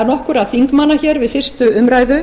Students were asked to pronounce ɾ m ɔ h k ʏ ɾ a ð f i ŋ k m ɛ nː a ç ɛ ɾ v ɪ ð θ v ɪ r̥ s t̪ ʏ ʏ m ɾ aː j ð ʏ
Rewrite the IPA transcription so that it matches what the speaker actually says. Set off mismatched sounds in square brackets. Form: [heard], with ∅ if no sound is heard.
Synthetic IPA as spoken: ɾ [n] ɔ h k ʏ ɾ a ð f i ŋ k m [a] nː a ç ɛ ɾ v ɪ ð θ [f] ɪ r̥ s t̪ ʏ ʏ m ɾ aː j ð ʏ